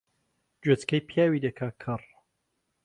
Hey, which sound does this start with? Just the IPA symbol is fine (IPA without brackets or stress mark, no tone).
d͡ʒ